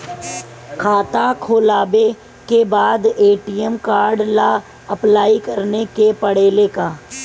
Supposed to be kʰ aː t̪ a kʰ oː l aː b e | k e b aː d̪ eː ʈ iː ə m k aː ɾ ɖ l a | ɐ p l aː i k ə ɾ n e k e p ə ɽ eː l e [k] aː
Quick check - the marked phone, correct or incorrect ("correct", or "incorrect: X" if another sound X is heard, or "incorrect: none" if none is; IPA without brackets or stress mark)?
correct